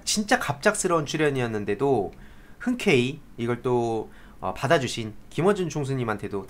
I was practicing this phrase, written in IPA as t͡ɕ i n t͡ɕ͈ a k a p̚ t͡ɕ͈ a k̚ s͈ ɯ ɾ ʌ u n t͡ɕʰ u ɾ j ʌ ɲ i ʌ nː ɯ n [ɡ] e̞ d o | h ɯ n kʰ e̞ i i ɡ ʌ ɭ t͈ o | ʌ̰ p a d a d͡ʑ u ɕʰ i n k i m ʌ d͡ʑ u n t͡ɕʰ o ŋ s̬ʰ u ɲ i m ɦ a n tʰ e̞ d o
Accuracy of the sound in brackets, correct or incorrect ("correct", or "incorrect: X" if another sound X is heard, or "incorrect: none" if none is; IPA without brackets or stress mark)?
incorrect: d